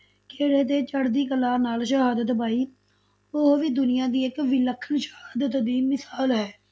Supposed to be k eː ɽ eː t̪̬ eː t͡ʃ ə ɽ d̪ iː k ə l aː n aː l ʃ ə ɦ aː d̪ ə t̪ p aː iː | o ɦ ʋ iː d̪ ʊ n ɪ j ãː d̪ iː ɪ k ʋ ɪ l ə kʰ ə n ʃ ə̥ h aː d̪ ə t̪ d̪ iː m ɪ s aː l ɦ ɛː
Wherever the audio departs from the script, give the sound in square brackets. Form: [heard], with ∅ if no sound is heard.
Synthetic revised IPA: k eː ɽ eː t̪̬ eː t͡ʃ ə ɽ d̪ iː k ə l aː n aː l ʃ ə ɦ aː d̪ ə t̪ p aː iː | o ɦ ʋ iː d̪ ʊ n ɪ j ãː d̪ iː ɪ k ʋ ɪ l ə kʰ ə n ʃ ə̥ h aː d̪ ə t̪ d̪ iː m ɪ s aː l ɦ ɛː